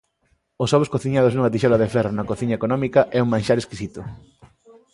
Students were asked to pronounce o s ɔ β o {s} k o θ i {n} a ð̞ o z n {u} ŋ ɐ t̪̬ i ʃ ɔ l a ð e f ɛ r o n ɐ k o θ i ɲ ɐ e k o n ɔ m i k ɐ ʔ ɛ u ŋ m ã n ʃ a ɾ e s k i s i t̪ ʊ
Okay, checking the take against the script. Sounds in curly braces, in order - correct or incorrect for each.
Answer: correct, incorrect: ɲ, correct

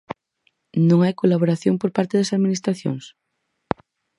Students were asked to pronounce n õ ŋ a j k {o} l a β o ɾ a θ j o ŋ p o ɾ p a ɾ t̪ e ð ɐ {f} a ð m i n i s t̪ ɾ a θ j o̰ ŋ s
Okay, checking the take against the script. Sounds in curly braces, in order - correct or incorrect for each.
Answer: correct, incorrect: s

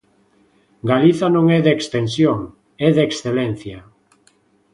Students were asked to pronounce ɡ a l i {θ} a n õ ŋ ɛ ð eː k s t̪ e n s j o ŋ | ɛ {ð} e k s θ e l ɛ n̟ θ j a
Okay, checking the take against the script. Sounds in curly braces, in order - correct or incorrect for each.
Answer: correct, correct

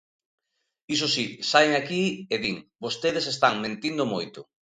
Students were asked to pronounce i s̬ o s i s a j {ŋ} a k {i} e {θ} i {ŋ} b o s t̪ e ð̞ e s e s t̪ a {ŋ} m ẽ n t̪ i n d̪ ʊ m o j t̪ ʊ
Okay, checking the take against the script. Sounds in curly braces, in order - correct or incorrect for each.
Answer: correct, correct, incorrect: ð, correct, correct

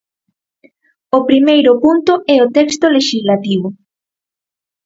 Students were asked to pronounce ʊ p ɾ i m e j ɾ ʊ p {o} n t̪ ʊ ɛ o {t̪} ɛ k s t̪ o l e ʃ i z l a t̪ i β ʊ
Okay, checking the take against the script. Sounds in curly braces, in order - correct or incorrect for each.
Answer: incorrect: u, correct

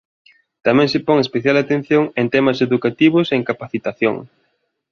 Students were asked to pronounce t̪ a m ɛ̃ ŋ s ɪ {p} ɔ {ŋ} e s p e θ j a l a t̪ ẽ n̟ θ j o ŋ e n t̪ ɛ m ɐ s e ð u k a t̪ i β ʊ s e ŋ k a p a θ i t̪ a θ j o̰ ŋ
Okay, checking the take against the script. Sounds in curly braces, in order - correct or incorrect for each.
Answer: correct, correct

